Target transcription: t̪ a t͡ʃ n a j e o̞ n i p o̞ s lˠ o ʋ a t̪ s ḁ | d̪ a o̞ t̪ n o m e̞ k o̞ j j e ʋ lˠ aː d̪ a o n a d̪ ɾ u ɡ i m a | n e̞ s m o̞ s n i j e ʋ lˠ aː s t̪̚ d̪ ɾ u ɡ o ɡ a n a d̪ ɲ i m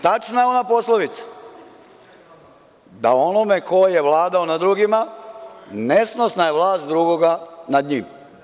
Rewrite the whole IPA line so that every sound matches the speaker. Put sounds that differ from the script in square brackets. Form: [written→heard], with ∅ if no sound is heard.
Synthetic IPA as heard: t̪ a t͡ʃ n a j e o̞ n [i→a] p o̞ s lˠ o ʋ [a→i] t̪ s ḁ | d̪ a o̞ [t̪→∅] n o m e̞ k o̞ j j e ʋ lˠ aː d̪ a o n a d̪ ɾ u ɡ i m a | n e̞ s [m→n] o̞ s n [i→a] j e ʋ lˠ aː s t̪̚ d̪ ɾ u ɡ o ɡ a n a d̪ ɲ i m